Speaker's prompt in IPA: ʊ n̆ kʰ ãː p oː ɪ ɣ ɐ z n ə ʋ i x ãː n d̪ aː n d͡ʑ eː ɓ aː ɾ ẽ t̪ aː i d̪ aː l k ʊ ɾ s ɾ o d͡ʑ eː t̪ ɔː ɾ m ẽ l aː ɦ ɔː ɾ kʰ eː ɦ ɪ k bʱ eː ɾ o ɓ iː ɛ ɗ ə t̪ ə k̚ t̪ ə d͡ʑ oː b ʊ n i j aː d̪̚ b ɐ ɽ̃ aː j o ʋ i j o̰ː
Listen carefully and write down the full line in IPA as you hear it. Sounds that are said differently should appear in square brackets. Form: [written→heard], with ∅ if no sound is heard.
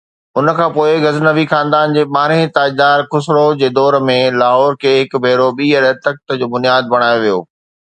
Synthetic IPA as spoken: ʊ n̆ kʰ ãː p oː ɪ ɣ ɐ z n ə ʋ i x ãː n d̪ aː n d͡ʑ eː ɓ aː ɾ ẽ t̪ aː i d̪ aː [l→ɾ] k ʊ [ɾ→∅] s ɾ o d͡ʑ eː [t̪→d̪] ɔː ɾ m ẽ l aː ɦ ɔː ɾ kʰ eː ɦ ɪ k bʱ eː ɾ o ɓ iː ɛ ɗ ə t̪ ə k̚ t̪ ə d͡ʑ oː b ʊ n i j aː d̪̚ b ɐ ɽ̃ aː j o ʋ i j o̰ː